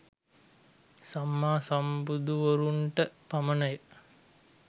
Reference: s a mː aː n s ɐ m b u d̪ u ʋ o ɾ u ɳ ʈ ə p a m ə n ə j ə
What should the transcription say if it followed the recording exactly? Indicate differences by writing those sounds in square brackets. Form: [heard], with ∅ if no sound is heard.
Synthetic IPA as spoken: s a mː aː [∅] s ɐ m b u d̪ u ʋ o ɾ u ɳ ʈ ə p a m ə n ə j ə